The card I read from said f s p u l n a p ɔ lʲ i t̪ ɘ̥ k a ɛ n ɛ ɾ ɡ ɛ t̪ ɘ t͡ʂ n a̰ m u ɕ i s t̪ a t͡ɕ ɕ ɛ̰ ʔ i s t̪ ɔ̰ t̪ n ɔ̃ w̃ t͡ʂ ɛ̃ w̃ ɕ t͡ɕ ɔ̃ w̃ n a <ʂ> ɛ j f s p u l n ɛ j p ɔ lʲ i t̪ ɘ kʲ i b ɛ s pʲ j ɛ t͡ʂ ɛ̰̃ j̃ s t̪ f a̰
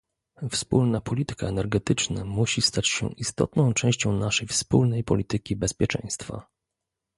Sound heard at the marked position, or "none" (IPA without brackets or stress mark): ʂ